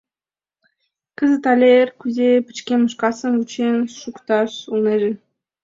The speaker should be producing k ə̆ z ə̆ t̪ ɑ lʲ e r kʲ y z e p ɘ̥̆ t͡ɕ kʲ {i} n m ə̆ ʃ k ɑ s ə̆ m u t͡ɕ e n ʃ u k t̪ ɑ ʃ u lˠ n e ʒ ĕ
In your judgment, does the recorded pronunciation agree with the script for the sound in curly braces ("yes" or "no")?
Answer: no